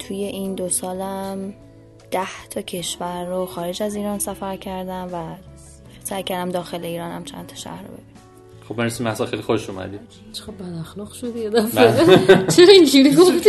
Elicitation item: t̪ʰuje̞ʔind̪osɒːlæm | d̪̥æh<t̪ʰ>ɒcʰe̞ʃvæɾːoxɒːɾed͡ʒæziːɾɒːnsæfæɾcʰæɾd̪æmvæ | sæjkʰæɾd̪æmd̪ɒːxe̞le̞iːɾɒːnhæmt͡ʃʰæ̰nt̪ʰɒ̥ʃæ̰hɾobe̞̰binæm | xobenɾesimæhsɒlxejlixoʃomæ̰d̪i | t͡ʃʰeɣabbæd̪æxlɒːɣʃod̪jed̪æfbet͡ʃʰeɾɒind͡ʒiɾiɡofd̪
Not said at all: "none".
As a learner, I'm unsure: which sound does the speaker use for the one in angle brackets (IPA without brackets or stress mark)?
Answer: t̪ʰ